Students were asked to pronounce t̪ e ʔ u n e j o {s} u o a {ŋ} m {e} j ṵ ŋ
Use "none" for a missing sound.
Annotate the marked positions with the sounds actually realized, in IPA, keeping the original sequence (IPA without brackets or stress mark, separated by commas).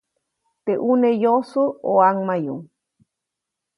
s, ŋ, a